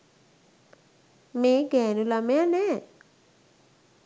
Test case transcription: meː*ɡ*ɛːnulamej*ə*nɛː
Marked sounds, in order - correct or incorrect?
correct, incorrect

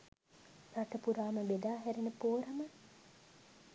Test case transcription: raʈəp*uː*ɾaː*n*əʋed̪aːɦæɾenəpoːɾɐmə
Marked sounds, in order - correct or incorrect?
incorrect, incorrect

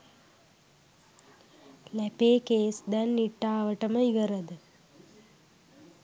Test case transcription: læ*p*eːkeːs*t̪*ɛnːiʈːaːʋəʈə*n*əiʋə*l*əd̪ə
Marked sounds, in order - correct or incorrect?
correct, incorrect, incorrect, incorrect

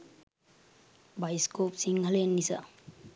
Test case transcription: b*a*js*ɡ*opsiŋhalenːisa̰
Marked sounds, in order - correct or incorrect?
correct, incorrect

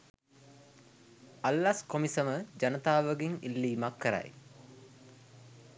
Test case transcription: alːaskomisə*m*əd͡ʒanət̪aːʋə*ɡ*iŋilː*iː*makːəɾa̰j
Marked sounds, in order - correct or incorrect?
correct, correct, correct

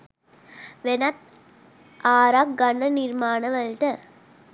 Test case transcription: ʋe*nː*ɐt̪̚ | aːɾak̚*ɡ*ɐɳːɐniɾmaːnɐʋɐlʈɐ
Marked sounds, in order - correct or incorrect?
incorrect, correct

